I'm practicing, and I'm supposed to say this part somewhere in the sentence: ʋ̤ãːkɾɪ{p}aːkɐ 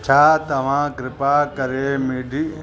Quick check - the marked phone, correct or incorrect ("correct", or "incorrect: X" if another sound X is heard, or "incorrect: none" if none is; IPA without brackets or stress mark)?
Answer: correct